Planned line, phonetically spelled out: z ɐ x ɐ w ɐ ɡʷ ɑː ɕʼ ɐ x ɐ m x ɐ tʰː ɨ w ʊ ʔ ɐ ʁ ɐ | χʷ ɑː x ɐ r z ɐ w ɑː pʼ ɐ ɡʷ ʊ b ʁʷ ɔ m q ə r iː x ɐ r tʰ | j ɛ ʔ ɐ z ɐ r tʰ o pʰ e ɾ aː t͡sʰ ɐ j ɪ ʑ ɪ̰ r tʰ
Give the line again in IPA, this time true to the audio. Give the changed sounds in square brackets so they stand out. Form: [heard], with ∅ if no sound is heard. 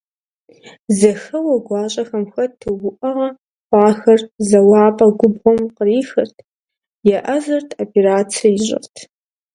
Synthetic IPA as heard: z ɐ x ɐ w ɐ ɡʷ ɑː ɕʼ ɐ x ɐ m x ɐ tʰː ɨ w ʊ ʔ ɐ ʁ ɐ | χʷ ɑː x ɐ r z ɐ w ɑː pʼ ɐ ɡʷ ʊ b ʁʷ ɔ m q ə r iː x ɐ r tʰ | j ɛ ʔ ɐ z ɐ r tʰ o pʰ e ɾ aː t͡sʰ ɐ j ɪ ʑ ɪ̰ r tʰ